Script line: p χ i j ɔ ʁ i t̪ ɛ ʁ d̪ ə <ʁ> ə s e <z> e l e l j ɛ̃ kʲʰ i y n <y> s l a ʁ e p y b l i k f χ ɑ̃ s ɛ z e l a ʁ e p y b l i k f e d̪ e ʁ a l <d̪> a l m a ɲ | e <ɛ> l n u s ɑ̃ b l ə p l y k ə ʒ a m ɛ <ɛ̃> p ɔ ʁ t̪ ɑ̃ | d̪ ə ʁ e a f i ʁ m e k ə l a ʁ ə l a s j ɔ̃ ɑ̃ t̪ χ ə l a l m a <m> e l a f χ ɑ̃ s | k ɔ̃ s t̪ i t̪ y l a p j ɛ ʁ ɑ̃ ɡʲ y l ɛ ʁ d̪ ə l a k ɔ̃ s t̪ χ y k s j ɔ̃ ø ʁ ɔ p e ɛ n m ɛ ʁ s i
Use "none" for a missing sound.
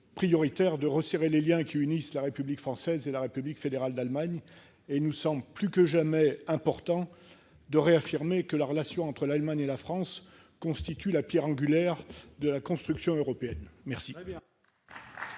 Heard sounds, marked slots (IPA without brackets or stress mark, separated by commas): ʁ, ʁ, i, d̪, i, ɛ̃, ɲ